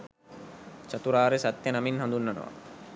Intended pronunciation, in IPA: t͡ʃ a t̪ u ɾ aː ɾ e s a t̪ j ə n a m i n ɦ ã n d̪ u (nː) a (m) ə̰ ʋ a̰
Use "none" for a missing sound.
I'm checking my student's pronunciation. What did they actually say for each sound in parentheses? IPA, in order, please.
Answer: nː, n

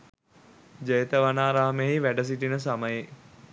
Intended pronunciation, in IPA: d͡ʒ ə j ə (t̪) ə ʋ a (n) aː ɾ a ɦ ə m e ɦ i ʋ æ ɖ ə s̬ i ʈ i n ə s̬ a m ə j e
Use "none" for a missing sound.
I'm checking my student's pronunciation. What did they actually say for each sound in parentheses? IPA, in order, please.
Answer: t̪, n

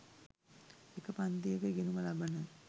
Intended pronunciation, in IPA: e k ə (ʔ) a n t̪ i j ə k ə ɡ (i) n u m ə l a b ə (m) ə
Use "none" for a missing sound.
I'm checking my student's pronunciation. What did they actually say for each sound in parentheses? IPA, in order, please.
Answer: p, e, n

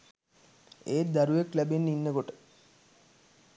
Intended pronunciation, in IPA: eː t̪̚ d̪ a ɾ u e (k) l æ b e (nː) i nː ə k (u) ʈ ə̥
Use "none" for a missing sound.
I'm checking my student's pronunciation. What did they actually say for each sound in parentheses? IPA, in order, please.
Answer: k, nː, o

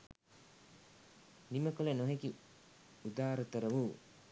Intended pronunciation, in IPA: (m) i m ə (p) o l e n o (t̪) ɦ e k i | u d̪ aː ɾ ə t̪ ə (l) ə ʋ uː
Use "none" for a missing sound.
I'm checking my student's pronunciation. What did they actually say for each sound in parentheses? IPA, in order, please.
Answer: n, k, none, ɾ

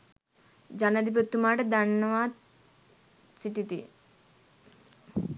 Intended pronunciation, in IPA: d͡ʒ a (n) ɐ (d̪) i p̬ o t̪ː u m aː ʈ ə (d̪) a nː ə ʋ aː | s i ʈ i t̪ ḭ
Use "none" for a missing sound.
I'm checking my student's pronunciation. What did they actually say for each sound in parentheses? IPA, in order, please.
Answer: n, d̪, d̪

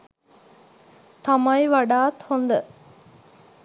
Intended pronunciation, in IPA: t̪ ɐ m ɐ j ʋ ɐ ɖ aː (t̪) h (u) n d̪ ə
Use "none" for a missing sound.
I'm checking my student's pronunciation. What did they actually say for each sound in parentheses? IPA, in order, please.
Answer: t̪, o

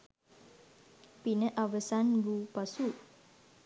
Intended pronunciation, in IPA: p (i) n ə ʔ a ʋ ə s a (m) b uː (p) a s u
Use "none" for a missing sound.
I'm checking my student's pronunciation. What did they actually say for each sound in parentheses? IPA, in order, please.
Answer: i, n, p

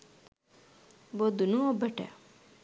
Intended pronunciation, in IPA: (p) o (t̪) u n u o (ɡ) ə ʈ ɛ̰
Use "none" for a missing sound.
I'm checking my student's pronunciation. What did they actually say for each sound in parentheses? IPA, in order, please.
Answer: b, d̪, b

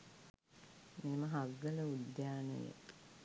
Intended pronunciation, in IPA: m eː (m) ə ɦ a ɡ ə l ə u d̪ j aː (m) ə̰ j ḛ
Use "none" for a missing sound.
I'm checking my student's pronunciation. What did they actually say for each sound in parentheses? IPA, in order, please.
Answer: m, n

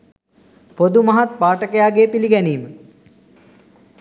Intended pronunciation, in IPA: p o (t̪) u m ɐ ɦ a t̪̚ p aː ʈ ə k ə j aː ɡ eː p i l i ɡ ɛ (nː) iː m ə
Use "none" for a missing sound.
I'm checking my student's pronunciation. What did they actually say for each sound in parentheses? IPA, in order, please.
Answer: d̪, n

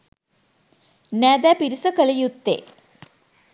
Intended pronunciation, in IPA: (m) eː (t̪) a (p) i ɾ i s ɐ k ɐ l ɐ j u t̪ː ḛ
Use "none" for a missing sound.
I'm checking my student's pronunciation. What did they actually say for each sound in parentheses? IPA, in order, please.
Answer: n, d̪, p

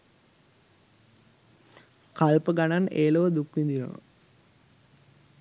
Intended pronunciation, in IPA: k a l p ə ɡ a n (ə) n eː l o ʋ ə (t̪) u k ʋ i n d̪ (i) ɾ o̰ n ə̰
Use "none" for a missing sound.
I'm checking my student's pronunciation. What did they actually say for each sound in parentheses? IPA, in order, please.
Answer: a, d̪, i

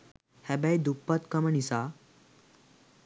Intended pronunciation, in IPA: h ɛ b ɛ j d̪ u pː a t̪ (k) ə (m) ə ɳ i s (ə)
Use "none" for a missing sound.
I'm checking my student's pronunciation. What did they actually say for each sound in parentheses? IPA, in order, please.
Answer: k, m, a

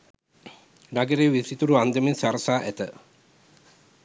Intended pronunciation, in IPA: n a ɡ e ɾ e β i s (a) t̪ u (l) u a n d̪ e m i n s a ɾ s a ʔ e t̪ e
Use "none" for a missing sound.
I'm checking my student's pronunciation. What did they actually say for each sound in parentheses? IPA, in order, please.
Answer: i, ɾ

